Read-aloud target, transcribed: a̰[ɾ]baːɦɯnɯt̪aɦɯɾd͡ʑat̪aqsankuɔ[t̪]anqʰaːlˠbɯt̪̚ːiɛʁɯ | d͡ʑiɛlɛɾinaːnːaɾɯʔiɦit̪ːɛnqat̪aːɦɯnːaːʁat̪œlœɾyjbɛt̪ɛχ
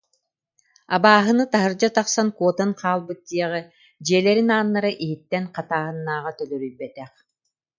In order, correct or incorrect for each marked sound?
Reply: incorrect: none, correct

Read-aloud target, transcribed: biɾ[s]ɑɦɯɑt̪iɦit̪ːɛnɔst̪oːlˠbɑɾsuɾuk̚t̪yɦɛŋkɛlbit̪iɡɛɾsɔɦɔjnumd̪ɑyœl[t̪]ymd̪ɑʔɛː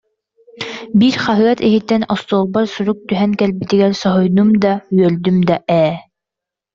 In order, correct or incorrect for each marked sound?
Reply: incorrect: χ, incorrect: d̪

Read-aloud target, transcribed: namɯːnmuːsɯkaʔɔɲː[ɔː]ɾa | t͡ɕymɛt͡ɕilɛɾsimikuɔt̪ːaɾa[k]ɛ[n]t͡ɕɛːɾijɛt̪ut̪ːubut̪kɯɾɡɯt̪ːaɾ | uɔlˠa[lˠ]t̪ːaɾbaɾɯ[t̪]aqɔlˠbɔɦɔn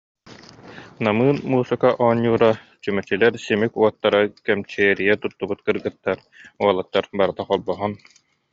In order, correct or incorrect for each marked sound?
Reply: incorrect: uː, correct, incorrect: m, incorrect: none, correct

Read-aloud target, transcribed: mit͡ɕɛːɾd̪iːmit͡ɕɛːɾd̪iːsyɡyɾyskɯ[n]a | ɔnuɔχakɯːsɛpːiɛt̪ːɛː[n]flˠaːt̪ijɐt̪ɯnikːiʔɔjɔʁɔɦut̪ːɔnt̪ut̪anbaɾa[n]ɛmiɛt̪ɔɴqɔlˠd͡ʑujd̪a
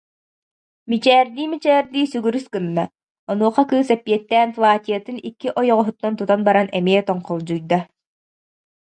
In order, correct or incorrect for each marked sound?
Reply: incorrect: nː, correct, correct

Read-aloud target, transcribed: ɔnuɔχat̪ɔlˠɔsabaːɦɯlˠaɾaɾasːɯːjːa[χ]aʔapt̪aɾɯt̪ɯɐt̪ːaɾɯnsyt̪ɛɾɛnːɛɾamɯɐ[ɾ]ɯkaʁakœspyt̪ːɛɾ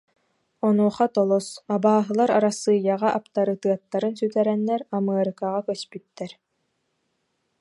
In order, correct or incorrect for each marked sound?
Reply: incorrect: ʁ, correct

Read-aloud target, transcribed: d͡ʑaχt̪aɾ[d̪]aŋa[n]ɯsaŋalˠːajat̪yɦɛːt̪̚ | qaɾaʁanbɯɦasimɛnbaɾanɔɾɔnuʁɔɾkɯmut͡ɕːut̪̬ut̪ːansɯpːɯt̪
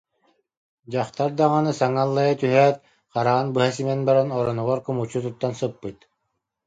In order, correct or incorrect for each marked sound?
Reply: correct, correct

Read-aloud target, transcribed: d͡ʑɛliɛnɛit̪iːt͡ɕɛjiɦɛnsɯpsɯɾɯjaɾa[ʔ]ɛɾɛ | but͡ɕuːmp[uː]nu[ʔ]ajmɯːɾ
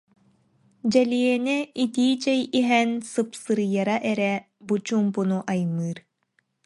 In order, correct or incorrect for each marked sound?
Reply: correct, incorrect: u, correct

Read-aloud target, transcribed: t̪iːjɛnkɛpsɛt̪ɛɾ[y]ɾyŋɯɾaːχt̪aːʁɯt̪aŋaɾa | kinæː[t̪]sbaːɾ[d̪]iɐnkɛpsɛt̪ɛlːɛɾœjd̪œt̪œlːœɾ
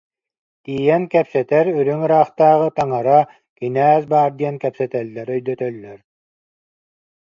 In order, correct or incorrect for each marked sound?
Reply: correct, incorrect: none, correct

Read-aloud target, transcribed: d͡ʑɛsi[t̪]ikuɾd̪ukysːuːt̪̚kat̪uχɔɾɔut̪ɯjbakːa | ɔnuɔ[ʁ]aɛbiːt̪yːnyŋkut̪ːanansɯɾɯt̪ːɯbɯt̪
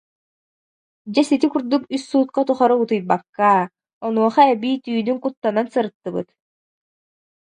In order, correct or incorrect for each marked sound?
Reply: correct, incorrect: χ

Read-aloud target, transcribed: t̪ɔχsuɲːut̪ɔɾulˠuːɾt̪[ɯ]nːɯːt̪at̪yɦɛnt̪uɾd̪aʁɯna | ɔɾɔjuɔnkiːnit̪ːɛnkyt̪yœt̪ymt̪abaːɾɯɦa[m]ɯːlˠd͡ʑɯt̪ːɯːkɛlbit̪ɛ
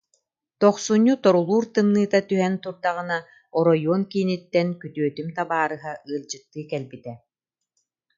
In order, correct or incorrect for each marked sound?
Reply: correct, incorrect: none

